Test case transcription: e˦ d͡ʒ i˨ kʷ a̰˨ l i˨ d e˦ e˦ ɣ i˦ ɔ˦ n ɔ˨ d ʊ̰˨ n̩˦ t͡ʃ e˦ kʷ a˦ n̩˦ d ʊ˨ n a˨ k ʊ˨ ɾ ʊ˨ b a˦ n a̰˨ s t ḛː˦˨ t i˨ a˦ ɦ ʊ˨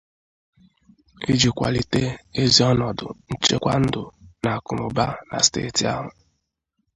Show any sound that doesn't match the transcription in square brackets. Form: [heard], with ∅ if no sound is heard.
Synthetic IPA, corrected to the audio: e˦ d͡ʒ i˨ kʷ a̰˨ l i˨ [t] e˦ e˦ [z] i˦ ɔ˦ n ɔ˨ d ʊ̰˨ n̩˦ t͡ʃ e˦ kʷ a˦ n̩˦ d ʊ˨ n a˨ k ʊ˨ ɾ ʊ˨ b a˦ n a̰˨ s t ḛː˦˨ t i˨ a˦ ɦ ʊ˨

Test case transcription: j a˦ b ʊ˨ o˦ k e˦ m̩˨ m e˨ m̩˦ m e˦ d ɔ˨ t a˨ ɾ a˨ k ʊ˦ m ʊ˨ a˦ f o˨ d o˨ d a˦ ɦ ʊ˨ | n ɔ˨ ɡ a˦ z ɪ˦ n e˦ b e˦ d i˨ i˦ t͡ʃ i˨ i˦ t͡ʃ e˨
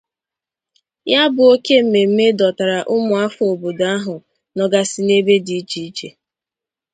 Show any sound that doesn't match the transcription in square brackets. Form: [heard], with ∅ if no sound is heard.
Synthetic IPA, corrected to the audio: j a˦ b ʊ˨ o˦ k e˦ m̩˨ m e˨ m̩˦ m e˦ d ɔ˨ t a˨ ɾ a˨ [ʔ] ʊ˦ m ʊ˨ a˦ f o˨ [b] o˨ d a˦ ɦ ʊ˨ | n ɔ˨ ɡ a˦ [s] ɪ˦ n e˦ b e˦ d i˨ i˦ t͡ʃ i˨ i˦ t͡ʃ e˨

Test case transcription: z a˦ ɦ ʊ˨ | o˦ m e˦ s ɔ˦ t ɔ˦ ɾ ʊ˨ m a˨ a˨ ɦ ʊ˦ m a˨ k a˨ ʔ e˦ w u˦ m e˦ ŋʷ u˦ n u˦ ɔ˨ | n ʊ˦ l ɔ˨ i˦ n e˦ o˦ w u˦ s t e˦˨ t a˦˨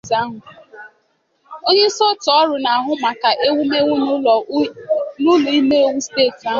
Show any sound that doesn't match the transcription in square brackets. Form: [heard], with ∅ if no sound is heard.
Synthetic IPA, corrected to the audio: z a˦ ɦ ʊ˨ | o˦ [ɲ] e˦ s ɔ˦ t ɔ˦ ɾ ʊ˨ [n] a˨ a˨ ɦ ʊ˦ m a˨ k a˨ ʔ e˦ w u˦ m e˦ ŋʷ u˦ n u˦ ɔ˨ | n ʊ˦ l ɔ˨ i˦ [m] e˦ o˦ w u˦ s t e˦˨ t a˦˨

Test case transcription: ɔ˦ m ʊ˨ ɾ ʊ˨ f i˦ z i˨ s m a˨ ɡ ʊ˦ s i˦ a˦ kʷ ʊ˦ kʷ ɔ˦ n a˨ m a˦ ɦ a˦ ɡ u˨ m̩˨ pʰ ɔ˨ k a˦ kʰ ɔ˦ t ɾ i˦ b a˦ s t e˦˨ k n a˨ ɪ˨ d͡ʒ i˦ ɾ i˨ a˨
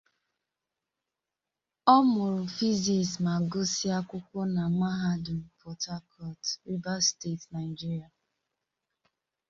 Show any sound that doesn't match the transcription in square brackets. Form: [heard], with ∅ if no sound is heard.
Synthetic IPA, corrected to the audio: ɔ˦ m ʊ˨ ɾ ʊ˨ f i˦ z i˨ s m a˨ ɡ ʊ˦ s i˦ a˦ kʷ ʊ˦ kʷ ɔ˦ n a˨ m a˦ ɦ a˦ [d] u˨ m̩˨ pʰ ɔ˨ [t] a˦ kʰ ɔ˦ t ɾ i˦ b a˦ s t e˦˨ [t] n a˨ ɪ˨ d͡ʒ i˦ ɾ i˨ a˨

